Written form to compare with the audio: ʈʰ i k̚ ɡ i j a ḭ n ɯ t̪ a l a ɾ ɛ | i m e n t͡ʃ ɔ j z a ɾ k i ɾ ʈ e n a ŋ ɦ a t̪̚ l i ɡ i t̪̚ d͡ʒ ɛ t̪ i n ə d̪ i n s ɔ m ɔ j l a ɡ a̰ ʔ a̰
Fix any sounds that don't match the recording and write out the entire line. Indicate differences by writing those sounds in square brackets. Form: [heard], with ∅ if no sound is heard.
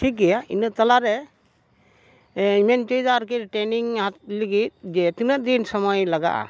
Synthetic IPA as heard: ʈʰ i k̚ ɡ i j a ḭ n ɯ t̪ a l a ɾ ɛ | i m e n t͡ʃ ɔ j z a ɾ k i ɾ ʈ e n [i] ŋ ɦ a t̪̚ l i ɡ i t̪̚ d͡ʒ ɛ t̪ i n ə d̪ i n s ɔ m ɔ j l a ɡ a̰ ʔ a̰